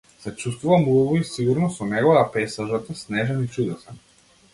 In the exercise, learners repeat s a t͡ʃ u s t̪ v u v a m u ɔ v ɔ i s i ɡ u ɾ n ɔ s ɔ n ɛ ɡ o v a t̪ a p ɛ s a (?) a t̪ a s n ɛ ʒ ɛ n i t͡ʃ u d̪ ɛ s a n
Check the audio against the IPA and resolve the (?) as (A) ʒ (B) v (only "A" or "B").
A